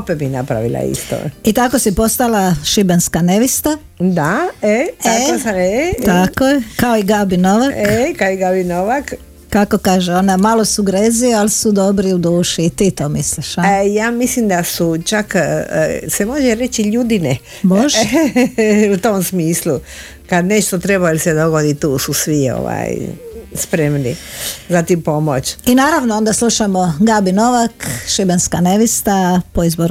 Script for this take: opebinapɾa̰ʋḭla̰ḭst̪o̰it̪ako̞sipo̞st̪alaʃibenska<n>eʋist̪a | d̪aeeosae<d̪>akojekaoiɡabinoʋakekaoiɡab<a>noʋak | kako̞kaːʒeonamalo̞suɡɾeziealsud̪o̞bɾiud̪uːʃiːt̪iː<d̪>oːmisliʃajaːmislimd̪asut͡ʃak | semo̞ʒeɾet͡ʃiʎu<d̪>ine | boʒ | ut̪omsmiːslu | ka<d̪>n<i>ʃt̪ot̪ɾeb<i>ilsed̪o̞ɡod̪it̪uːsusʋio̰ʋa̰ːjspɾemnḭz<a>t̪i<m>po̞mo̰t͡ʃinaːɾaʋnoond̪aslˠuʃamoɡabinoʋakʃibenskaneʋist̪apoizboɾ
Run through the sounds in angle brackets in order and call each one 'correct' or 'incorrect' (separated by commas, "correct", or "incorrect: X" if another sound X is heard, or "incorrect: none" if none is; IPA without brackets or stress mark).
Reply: correct, incorrect: t̪, incorrect: i, incorrect: t̪, correct, correct, incorrect: e, incorrect: a, correct, correct